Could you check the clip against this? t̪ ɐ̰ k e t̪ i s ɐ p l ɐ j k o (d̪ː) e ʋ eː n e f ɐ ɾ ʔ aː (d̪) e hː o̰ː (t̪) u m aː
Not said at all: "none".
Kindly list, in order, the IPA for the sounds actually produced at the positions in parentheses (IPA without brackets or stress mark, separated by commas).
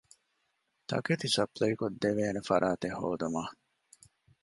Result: d̪ː, t̪, d̪